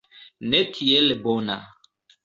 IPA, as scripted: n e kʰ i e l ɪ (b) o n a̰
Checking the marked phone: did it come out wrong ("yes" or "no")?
no